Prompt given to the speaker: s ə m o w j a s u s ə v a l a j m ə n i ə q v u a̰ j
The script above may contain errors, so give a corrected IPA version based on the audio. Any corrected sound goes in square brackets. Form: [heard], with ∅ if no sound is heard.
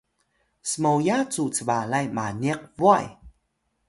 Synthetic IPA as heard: s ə m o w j a [t͡s] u [t͡s] ə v a l a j m [a] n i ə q v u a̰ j